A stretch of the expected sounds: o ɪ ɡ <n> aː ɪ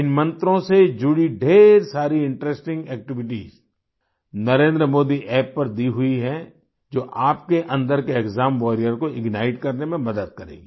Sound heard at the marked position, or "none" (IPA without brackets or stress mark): n